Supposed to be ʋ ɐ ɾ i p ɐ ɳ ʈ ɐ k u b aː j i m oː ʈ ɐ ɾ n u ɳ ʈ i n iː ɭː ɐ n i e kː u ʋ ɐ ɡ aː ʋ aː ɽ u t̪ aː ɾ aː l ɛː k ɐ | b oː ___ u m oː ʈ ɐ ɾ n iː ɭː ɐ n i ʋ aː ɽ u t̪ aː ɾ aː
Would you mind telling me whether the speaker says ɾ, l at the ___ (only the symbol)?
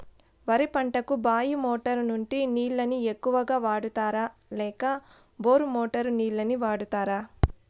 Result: ɾ